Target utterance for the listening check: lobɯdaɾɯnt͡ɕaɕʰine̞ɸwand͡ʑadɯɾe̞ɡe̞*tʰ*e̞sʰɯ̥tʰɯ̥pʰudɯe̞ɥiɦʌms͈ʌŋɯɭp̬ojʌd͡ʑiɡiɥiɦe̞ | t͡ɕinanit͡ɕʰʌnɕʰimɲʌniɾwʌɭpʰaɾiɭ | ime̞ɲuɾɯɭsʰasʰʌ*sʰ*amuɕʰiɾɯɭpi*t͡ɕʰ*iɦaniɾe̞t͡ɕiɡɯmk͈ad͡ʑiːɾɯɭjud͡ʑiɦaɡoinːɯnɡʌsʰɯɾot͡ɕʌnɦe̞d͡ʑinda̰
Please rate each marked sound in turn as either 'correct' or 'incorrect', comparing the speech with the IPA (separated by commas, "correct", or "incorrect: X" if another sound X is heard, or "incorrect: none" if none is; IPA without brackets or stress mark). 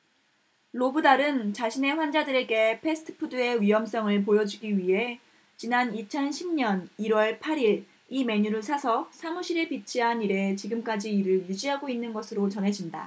incorrect: pʰ, correct, correct